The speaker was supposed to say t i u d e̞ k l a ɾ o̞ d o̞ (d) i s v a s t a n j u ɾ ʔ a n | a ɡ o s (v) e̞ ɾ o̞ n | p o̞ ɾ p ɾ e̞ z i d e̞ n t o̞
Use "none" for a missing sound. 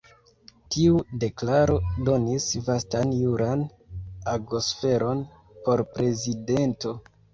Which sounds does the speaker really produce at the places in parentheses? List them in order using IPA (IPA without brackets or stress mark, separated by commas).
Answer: n, f